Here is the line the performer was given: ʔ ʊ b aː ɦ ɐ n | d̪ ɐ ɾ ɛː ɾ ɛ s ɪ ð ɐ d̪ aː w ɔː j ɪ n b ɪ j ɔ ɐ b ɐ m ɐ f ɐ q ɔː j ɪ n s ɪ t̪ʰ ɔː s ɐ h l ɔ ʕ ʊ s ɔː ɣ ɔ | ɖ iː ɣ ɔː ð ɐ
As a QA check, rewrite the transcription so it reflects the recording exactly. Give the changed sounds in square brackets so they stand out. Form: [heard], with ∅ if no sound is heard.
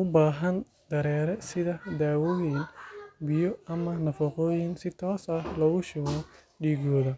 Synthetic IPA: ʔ ʊ b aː ɦ ɐ n | d̪ ɐ ɾ ɛː ɾ ɛ s ɪ ð ɐ d̪ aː w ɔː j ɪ n b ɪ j ɔ ɐ [m] ɐ [n] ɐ f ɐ q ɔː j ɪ n s ɪ t̪ʰ ɔː s ɐ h l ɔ [ɣ] ʊ [ʃ] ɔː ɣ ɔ | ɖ iː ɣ ɔː ð ɐ